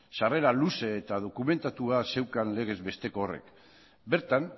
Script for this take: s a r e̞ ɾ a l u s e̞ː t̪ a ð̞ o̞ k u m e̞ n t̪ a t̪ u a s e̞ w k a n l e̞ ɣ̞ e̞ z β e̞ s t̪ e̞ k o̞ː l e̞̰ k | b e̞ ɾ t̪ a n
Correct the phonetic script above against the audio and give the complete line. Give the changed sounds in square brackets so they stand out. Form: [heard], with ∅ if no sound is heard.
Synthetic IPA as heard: s a r e̞ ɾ a l u s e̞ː t̪ a ð̞ o̞ k u m e̞ n t̪ a t̪ u a s e̞ w k a n l e̞ ɣ̞ e̞ z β e̞ s t̪ e̞ k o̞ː [r] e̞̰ k | b e̞ ɾ t̪ a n